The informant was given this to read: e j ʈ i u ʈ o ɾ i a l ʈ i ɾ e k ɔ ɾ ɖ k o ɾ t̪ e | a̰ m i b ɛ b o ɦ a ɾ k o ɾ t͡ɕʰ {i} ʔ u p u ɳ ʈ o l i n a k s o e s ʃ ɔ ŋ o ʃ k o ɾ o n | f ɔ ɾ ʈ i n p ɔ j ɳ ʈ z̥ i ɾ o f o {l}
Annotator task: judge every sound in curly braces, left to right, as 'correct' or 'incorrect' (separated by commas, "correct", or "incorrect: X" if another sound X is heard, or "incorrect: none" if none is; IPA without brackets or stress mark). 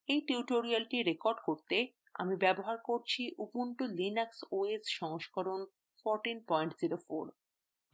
correct, incorrect: ɾ